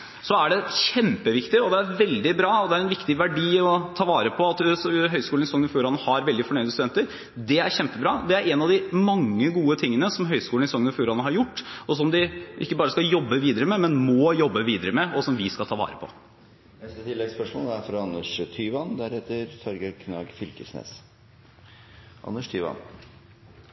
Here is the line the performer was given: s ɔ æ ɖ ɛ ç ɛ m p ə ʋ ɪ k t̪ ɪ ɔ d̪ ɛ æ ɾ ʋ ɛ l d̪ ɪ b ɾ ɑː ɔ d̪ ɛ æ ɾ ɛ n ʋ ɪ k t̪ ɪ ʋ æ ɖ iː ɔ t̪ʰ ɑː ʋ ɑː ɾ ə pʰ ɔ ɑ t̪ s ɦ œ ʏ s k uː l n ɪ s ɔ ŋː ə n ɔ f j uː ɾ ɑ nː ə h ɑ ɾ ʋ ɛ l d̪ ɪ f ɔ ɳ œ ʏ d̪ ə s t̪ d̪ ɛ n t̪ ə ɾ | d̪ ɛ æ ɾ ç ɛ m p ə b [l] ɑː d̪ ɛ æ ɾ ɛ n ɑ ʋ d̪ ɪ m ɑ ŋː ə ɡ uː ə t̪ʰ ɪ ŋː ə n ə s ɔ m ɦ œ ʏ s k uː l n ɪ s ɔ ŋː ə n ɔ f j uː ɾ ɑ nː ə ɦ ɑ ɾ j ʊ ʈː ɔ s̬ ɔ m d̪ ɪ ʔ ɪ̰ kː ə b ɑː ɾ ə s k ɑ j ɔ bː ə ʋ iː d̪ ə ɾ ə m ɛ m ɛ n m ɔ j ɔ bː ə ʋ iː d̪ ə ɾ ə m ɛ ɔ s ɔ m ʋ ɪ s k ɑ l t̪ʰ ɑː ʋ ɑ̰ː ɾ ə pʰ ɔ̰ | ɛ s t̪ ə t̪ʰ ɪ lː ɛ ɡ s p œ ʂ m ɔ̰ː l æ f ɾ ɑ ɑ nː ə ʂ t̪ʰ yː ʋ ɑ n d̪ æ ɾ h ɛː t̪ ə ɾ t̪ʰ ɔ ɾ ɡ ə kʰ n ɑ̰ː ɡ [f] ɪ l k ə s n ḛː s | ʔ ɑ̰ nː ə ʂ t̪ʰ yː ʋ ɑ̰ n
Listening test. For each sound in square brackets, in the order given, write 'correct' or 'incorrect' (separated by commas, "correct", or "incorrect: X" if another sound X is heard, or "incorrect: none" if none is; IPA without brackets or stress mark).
incorrect: ɾ, correct